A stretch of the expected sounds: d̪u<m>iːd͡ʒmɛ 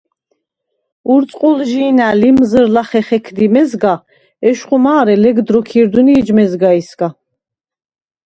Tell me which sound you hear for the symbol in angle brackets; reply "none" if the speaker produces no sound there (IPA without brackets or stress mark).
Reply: n